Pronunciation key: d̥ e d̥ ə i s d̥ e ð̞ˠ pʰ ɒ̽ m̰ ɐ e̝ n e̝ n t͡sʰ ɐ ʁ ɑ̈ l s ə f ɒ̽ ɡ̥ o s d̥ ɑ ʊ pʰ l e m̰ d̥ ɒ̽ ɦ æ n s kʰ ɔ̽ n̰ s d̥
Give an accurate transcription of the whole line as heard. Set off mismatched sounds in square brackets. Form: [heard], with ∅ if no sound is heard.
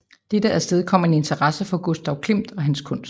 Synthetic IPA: d̥ e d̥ ə [æ] s d̥ e ð̞ˠ [kʰ] ɒ̽ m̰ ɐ e̝ n e̝ n t͡sʰ ɐ ʁ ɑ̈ [∅] s ə f ɒ̽ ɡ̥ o s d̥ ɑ ʊ [kʰ] l e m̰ d̥ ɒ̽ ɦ æ n s kʰ ɔ̽ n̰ s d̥